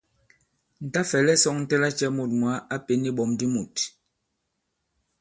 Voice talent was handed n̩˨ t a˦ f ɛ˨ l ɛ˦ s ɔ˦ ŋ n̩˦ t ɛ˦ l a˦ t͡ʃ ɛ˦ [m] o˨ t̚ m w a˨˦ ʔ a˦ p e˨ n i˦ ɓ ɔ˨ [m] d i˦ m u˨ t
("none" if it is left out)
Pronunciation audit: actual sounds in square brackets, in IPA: m, m

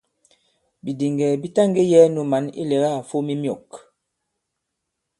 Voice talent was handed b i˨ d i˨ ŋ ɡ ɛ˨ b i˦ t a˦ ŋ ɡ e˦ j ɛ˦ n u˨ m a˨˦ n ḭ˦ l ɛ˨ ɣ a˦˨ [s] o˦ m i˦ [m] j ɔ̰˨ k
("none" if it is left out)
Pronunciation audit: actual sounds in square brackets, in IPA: f, m

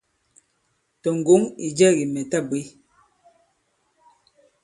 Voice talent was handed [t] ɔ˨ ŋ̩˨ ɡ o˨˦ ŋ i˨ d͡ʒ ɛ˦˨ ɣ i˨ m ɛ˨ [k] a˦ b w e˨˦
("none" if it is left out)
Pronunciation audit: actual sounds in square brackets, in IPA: t, t

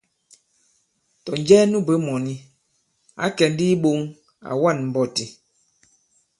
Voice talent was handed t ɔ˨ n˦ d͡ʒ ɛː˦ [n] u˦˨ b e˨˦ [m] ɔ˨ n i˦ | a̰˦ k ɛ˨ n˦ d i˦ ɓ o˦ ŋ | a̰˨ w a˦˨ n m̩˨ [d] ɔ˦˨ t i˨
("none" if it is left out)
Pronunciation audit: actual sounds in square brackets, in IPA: n, m, b

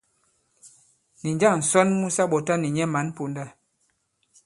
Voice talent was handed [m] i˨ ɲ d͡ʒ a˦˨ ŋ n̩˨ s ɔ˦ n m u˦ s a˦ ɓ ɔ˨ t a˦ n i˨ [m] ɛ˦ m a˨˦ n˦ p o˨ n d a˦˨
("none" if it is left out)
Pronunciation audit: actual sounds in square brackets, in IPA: n, ɲ

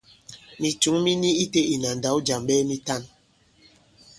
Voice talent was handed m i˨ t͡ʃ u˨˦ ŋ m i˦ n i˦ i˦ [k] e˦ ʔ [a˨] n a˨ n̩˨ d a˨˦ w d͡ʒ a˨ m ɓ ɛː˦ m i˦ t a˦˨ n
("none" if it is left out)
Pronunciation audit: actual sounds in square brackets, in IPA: t, i˨

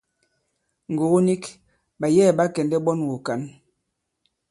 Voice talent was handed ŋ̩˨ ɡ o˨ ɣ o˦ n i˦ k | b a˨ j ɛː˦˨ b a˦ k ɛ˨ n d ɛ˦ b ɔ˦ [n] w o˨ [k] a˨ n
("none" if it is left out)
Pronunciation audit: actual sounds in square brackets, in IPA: n, k

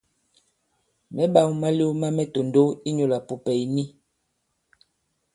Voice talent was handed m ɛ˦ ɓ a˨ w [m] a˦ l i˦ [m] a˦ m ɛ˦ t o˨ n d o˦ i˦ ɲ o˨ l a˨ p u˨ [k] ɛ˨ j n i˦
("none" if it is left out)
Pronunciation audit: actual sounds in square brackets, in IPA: m, m, p

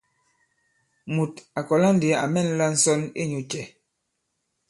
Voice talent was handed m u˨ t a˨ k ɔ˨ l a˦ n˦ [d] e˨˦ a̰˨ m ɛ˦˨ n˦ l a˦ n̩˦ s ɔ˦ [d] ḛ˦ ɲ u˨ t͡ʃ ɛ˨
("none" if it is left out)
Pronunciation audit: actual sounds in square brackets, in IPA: d, n

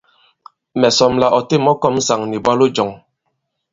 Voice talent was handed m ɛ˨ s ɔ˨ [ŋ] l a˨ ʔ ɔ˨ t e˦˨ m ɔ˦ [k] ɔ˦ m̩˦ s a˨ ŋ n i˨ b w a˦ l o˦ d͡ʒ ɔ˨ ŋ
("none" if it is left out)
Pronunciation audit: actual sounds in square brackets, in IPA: m, k

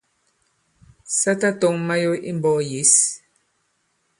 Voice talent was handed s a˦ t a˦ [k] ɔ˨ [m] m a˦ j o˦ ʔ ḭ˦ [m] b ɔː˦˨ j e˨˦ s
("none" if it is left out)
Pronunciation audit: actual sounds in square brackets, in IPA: t, ŋ, m

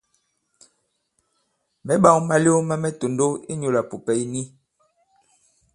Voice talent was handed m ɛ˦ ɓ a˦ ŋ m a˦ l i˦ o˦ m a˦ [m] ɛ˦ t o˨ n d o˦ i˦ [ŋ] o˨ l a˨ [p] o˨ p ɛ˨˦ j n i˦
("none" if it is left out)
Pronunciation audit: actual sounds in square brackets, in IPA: m, ɲ, p

